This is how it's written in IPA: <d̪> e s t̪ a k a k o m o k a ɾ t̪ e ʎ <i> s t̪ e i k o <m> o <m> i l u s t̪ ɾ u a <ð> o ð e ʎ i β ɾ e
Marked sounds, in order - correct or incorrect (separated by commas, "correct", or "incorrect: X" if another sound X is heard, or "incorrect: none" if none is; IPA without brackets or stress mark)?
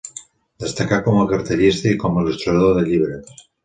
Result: correct, correct, correct, incorrect: none, correct